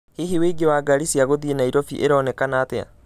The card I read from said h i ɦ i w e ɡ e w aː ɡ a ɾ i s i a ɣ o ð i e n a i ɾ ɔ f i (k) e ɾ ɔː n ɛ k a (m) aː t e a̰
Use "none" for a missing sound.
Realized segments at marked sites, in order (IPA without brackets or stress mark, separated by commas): ʔ, n